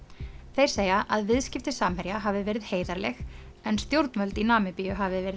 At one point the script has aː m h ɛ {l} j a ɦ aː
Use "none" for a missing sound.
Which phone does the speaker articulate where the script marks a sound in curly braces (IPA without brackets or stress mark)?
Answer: ɾ